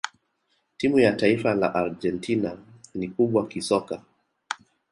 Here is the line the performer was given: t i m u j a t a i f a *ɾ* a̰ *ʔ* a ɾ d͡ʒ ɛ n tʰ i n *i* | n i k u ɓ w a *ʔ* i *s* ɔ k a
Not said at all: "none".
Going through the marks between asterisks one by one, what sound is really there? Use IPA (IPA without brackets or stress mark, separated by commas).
l, ʔ, a, k, s